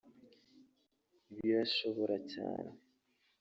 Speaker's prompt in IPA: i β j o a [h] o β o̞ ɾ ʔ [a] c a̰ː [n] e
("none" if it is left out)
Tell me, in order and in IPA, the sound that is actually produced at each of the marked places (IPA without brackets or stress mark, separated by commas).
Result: ʃ, a, n